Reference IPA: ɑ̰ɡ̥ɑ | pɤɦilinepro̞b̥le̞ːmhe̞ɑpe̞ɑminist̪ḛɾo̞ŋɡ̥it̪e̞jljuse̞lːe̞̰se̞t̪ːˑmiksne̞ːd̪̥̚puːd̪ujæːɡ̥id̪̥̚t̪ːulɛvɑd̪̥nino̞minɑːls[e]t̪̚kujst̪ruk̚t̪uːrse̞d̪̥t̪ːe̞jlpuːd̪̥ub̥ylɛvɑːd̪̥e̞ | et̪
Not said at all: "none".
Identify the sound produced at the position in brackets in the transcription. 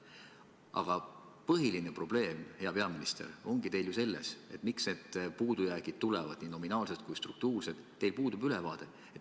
e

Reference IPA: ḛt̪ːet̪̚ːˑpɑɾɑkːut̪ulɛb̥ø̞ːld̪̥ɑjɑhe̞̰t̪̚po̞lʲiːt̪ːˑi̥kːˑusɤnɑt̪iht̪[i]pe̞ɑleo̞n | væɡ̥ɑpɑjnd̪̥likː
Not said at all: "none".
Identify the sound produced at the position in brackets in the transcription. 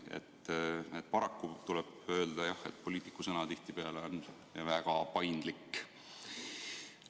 i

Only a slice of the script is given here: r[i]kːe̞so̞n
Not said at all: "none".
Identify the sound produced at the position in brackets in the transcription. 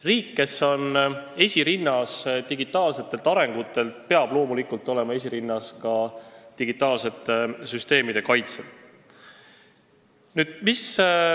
iː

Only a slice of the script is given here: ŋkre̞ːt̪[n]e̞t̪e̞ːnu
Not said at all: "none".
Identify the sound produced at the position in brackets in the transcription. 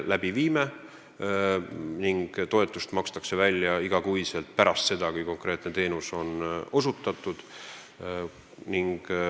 n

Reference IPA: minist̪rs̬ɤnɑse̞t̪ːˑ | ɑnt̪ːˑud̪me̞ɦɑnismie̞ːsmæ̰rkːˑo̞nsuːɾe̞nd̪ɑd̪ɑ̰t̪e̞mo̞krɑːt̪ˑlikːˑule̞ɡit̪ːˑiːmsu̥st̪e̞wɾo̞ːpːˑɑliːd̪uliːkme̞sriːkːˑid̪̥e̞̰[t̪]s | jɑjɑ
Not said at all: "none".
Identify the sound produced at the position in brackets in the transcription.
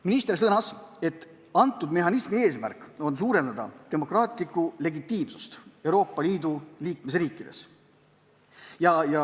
none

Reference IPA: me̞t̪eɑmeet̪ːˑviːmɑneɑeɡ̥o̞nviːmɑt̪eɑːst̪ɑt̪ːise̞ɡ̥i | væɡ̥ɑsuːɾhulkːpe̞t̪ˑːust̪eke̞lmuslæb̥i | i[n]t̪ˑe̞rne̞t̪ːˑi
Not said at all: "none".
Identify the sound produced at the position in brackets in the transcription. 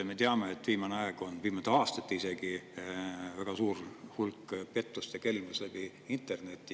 n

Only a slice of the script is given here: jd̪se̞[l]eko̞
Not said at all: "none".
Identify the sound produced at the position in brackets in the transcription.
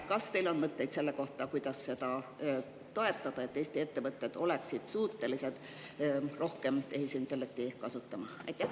lː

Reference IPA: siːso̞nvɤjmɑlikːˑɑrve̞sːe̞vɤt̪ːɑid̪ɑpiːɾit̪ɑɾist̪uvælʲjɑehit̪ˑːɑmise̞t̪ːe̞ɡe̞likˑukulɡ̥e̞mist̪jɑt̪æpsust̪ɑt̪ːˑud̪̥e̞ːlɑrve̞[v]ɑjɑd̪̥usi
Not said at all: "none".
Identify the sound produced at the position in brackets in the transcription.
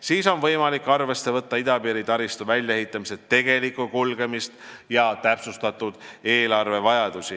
v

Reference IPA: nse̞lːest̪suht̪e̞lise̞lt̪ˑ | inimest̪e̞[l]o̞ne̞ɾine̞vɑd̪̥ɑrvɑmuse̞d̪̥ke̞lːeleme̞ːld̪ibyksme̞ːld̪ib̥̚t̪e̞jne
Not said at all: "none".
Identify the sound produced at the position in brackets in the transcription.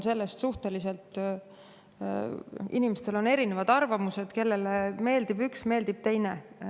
l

